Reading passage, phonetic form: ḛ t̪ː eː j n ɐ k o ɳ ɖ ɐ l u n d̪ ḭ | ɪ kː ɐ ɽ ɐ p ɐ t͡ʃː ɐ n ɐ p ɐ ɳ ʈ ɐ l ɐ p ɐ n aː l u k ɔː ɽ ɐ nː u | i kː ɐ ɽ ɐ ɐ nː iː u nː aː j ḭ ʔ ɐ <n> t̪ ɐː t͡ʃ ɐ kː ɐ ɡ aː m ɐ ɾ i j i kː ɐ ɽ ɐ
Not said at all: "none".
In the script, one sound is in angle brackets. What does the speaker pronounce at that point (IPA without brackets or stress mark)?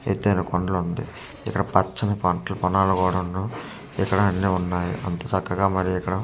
n